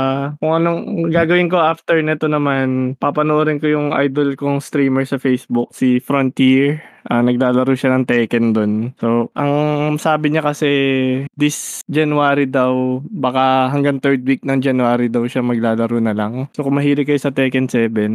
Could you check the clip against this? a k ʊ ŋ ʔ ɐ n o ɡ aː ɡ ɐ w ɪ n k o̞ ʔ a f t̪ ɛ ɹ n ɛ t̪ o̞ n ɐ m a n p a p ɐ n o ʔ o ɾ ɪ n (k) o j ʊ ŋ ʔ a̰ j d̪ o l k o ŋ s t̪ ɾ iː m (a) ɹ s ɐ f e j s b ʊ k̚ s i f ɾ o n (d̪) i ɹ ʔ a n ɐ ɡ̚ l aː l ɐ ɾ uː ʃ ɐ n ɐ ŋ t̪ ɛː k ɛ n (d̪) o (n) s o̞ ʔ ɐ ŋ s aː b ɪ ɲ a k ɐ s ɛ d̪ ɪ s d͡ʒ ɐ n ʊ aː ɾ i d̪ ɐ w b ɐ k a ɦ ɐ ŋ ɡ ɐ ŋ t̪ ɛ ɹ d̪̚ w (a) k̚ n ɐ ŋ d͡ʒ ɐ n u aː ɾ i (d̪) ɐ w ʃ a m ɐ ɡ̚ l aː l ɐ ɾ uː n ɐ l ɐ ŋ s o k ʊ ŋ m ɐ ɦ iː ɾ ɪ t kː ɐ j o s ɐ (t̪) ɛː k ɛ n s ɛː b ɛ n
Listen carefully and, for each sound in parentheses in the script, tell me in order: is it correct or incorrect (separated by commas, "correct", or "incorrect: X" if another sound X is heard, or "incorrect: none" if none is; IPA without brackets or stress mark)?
correct, incorrect: ɛ, incorrect: t̪, correct, correct, incorrect: i, correct, correct